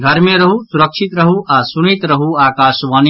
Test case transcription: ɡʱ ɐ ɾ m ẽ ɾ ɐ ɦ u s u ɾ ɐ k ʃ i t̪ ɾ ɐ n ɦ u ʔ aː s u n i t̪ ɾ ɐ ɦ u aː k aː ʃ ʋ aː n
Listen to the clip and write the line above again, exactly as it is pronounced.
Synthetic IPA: ɡʱ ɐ ɾ m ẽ ɾ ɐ ɦ u s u ɾ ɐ k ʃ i t̪ ɾ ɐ ɦ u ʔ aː s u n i t̪ ɾ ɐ ɦ u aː k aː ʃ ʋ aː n